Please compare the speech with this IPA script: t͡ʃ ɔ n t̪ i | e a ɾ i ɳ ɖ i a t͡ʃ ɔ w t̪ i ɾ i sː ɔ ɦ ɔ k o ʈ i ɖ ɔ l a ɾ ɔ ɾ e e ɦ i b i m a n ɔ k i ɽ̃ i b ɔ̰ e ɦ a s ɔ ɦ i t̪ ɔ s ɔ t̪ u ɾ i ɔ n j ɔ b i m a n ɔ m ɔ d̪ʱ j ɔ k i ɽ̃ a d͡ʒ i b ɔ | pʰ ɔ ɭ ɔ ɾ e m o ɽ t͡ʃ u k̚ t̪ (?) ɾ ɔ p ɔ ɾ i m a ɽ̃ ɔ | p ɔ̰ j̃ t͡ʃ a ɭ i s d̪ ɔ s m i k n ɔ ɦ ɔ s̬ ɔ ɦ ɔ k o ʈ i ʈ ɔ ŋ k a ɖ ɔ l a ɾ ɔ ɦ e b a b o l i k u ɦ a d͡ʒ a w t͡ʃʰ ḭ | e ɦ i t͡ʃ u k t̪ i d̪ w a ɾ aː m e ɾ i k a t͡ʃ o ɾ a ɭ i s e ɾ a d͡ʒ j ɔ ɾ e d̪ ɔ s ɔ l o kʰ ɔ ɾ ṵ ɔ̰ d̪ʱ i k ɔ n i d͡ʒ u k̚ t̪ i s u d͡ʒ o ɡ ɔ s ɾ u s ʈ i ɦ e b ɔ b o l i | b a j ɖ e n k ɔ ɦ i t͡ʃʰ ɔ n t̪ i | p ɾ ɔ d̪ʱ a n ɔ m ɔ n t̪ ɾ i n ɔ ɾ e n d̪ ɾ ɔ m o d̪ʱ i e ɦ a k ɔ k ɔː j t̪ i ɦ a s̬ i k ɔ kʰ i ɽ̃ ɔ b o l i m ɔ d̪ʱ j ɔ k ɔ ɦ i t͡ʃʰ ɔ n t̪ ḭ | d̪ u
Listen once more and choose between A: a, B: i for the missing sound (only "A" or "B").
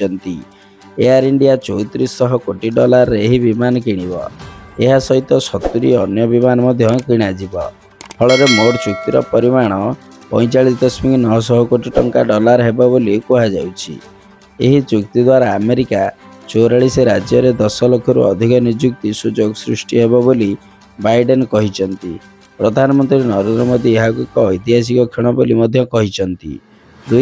B